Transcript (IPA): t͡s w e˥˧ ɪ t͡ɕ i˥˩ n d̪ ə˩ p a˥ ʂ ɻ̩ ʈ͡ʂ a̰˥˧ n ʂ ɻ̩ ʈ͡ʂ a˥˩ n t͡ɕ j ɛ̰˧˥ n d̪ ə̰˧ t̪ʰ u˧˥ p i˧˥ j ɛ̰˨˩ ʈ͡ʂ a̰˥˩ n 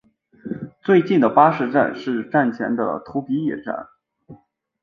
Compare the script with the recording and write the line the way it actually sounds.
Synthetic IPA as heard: t͡s w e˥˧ ɪ t͡ɕ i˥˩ n d̪ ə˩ p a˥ ʂ ɻ̩ ʈ͡ʂ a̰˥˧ n ʂ ɻ̩ ʈ͡ʂ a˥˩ n t͡ɕʰ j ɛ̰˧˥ n d̪ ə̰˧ t̪ʰ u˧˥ p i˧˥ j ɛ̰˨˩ ʈ͡ʂ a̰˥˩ n